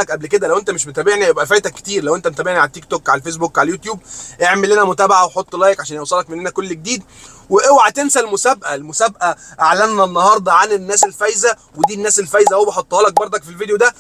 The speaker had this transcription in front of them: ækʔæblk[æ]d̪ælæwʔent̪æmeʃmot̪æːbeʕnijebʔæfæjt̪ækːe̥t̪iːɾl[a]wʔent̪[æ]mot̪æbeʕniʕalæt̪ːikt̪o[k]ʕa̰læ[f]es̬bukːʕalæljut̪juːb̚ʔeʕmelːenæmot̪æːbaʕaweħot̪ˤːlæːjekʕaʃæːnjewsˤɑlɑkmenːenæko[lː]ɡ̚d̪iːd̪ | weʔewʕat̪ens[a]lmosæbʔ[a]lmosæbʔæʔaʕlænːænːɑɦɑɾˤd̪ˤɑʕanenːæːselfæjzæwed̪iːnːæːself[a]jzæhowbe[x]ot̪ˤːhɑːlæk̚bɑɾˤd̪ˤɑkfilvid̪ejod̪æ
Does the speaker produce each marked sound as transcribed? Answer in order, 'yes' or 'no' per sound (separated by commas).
no, no, yes, yes, yes, yes, no, no, no, no